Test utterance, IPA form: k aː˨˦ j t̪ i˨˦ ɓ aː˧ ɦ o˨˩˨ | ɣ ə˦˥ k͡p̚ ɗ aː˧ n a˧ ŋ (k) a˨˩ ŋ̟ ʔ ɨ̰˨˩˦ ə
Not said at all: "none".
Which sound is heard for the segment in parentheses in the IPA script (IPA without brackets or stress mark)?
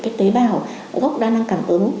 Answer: k